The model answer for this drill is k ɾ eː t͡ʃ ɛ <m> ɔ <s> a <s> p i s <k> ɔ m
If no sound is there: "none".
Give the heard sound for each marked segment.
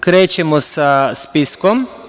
m, s, s, k

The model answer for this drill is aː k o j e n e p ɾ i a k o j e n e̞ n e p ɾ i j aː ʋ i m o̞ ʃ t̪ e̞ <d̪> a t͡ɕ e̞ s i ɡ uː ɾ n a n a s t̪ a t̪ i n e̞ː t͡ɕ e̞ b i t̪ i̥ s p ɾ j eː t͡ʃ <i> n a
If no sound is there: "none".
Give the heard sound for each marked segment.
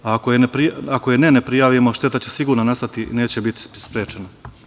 t̪, e

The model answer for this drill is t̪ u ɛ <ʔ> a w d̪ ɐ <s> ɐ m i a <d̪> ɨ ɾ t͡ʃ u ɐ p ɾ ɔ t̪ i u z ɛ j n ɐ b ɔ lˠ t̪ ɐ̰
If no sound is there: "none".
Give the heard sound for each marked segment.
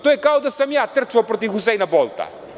k, s, t̪

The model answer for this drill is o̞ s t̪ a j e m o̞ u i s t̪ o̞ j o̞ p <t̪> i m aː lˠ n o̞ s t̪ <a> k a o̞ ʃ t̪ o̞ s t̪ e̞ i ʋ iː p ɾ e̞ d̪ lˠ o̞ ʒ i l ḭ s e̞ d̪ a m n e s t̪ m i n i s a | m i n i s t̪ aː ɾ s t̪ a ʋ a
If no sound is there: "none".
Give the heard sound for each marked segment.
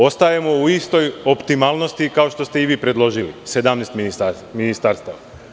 t̪, i

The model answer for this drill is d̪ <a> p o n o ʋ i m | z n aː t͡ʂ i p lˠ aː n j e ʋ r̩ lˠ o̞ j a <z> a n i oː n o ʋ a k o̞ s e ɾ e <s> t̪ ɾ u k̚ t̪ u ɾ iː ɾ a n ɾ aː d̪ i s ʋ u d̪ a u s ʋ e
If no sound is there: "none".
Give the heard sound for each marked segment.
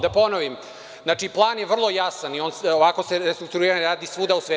a, s, s

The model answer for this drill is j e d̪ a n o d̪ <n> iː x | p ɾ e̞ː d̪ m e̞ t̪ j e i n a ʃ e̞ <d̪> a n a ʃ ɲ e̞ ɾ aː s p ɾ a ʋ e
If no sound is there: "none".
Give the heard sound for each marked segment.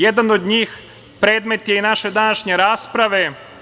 ɲ, d̪

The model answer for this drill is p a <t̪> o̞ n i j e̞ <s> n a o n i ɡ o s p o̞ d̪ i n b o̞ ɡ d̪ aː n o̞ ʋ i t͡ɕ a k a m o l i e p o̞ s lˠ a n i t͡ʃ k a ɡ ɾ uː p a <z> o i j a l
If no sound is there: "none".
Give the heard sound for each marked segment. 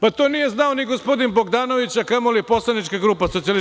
t̪, z, s

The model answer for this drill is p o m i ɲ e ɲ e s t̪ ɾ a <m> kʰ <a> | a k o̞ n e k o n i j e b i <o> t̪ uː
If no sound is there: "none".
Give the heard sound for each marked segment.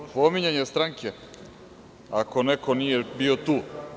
ŋ, e, o

